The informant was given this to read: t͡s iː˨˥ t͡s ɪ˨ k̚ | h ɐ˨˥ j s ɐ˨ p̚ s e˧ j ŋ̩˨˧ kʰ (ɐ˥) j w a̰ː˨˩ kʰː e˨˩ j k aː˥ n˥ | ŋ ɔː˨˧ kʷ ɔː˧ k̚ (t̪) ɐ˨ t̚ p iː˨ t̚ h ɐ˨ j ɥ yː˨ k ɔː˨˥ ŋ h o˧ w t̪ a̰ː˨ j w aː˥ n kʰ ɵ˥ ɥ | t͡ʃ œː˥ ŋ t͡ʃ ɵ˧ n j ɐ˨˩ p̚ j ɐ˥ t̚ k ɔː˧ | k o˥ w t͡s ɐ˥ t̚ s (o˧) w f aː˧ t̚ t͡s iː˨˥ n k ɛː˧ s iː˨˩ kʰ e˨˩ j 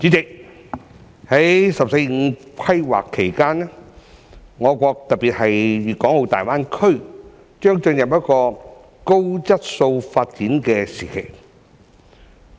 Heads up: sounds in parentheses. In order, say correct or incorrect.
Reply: correct, correct, correct

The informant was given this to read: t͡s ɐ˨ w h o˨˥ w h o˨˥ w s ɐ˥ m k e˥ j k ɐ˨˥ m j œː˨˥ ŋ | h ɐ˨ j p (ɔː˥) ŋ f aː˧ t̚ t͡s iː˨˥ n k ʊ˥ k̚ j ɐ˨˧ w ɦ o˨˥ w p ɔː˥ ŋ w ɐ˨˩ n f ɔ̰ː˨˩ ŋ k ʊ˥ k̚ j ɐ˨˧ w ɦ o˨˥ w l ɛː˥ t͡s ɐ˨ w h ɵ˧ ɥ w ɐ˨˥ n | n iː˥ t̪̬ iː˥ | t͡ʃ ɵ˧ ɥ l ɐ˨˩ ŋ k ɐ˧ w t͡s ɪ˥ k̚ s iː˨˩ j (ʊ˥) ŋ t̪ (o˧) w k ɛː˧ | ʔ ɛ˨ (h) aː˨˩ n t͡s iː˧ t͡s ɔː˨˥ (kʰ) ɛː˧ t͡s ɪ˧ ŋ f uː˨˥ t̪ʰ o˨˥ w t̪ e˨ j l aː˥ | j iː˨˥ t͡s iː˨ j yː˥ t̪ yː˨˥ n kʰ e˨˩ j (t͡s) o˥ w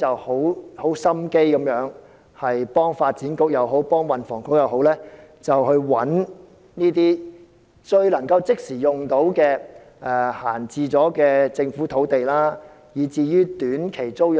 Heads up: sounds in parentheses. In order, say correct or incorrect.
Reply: correct, incorrect: ʊ˨˩, incorrect: o˨˥, correct, incorrect: k, correct

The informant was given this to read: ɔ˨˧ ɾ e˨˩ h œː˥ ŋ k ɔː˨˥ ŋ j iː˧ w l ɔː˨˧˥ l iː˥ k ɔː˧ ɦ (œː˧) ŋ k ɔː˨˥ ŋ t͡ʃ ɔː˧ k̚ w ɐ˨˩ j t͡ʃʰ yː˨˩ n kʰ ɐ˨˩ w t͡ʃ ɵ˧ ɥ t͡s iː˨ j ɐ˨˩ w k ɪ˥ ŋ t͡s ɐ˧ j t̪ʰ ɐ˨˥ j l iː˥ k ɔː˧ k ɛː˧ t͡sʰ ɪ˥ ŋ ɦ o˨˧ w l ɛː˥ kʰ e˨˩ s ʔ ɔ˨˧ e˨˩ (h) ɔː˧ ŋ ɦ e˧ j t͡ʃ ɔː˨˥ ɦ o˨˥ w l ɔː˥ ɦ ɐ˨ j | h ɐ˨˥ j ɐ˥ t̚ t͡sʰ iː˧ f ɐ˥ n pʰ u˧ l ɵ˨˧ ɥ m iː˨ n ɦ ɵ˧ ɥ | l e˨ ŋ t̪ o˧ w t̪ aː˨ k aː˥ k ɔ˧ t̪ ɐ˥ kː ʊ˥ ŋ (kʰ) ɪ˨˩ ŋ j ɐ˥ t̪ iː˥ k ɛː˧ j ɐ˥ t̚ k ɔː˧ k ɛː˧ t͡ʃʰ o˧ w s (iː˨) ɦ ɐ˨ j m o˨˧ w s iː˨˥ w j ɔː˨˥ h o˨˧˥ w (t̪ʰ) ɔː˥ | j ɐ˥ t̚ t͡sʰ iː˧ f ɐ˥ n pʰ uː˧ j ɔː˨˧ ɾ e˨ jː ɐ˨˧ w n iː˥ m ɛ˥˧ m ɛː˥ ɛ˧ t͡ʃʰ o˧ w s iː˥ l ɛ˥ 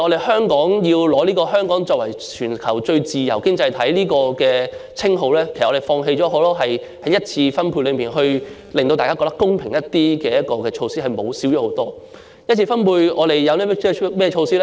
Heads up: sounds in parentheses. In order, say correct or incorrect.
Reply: incorrect: œː˥, incorrect: f, incorrect: pʰ, incorrect: iː˥, incorrect: t̪

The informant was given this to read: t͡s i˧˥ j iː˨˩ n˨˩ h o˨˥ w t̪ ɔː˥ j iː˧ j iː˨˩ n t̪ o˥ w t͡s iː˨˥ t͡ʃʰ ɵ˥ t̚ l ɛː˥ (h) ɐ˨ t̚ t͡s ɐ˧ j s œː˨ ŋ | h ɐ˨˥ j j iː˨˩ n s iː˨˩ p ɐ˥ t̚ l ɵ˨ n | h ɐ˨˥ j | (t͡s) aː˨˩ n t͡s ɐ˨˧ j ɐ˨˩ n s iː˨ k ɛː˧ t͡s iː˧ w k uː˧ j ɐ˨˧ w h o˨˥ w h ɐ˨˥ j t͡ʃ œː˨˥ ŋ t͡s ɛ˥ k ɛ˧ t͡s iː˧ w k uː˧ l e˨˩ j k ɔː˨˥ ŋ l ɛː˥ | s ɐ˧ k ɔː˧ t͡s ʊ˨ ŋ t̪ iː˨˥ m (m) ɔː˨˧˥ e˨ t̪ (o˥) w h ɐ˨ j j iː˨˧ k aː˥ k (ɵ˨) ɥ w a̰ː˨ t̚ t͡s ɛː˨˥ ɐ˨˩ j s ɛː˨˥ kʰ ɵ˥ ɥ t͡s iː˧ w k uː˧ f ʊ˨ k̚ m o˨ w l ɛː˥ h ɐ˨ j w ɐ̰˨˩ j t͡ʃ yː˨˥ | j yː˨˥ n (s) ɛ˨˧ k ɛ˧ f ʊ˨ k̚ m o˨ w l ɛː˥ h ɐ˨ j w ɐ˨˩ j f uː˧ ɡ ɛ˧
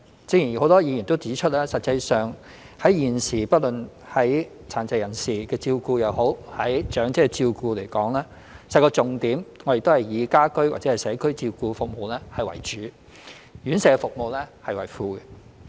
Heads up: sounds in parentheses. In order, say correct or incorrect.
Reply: incorrect: s, incorrect: t͡sʰ, incorrect: ŋ, correct, incorrect: ɵ˥, correct

